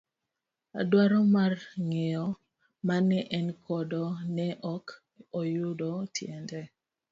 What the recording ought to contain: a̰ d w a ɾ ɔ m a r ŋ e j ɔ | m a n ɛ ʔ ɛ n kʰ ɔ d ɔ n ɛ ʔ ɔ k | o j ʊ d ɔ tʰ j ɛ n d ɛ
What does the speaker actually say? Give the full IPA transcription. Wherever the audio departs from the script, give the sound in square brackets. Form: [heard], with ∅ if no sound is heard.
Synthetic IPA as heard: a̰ d w a ɾ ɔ m a r ŋ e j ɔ | m a n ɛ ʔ ɛ n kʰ ɔ d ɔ n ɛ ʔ ɔ k | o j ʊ d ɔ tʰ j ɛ n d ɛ